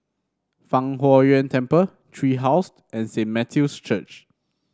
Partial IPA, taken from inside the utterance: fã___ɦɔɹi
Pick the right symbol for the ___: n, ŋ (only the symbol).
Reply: ŋ